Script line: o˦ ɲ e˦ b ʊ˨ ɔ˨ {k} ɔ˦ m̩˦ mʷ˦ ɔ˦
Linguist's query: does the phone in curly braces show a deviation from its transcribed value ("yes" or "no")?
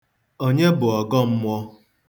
yes